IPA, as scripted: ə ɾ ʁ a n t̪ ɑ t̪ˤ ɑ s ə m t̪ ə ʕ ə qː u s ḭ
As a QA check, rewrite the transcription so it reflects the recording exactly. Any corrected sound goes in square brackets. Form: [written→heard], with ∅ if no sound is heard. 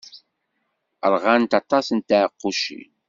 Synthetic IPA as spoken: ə ɾ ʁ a n t̪ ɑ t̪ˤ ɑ s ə [m→n] t̪ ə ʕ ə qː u [s→ʃ] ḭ